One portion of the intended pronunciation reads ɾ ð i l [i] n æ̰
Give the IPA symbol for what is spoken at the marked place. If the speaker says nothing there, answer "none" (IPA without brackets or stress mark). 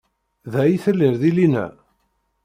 i